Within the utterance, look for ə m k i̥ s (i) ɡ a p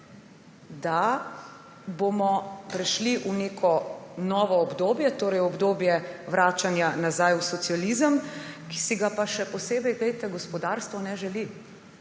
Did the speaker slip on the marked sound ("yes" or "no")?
no